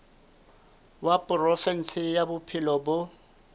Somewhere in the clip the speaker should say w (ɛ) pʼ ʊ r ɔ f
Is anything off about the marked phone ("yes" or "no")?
yes